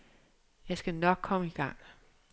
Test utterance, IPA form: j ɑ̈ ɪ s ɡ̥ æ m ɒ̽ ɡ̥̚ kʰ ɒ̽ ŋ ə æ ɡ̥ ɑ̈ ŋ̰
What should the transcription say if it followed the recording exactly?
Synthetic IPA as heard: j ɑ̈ ɪ s ɡ̥ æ n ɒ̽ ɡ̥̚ kʰ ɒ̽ m ə i ɡ̥ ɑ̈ ŋ̰